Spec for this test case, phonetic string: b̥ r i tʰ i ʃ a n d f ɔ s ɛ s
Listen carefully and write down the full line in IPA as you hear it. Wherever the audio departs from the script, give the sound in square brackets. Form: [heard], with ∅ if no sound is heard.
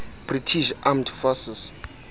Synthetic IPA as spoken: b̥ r i tʰ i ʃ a [m] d f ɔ s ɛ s